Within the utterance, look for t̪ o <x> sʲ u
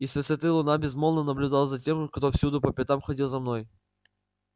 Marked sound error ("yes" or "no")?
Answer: yes